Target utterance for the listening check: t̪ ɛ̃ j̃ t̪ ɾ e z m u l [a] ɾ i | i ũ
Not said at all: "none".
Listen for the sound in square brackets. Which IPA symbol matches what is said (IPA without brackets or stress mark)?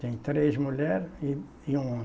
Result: ɛ